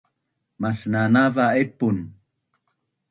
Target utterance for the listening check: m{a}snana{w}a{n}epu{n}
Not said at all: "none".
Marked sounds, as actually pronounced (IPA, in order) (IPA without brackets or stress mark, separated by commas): a, v, none, n